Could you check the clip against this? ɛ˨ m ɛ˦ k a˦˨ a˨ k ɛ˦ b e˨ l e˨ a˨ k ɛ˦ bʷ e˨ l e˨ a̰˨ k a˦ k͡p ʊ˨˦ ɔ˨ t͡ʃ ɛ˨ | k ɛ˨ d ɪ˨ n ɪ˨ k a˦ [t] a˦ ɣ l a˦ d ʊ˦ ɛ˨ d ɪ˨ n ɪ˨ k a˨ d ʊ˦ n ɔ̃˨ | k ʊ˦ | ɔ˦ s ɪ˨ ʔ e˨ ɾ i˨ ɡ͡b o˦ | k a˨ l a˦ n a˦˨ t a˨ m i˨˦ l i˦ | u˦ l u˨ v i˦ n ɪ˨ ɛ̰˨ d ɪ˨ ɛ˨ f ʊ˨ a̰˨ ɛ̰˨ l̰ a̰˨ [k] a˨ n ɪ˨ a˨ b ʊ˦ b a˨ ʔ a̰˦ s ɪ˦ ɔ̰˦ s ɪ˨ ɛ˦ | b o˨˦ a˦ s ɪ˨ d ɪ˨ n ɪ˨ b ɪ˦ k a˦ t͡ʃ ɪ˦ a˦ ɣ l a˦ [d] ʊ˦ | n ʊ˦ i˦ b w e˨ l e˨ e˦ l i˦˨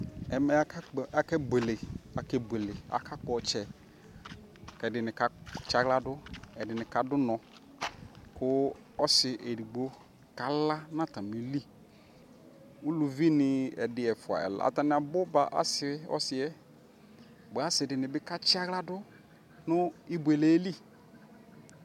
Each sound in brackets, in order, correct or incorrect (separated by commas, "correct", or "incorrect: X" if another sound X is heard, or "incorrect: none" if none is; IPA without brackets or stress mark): incorrect: t͡ʃ, incorrect: t, correct